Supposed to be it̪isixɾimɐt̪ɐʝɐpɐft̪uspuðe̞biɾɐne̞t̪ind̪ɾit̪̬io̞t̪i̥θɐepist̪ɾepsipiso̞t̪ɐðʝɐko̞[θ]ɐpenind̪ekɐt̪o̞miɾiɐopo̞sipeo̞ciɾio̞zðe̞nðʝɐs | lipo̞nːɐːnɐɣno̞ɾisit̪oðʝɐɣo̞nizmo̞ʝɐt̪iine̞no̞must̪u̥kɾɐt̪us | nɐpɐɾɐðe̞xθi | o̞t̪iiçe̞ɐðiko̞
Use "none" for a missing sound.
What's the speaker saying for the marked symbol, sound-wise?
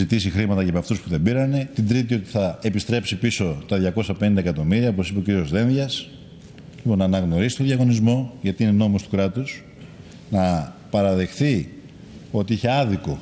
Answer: s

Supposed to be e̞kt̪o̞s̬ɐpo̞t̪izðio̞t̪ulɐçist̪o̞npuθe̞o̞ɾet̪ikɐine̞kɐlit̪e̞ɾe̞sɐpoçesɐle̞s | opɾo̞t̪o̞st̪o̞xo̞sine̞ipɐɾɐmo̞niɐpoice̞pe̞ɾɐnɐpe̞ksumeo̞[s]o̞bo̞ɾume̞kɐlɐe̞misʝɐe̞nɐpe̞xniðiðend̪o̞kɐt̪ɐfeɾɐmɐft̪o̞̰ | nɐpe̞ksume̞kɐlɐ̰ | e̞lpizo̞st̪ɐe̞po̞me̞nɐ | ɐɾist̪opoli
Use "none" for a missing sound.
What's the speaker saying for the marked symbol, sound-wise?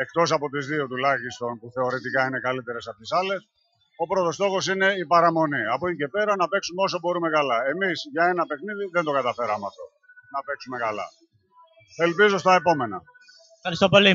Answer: s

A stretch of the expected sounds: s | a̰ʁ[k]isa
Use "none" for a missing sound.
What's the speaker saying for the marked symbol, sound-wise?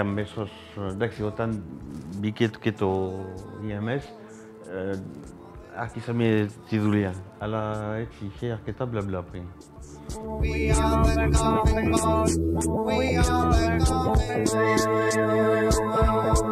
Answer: k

